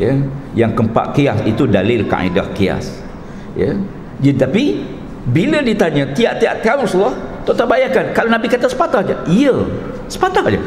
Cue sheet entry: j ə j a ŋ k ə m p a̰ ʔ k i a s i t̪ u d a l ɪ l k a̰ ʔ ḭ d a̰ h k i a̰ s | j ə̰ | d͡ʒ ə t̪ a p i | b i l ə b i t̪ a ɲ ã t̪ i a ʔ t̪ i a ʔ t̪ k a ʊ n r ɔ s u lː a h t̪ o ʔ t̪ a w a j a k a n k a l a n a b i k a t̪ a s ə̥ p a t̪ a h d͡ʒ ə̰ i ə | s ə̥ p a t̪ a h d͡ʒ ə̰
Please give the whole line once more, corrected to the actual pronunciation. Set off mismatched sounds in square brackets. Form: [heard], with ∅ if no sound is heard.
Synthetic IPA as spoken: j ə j a ŋ k ə m p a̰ ʔ k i a s i t̪ u d a l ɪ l k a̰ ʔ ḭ d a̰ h k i a̰ s | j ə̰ | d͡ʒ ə t̪ a p i | b i l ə [d] i t̪ a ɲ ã t̪ i a ʔ t̪ i a ʔ t̪ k a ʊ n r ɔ s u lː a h t̪ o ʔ t̪ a [b] a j a k a n k a l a n a b i k a t̪ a s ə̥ p a t̪ a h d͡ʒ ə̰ i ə | s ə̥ p a t̪ a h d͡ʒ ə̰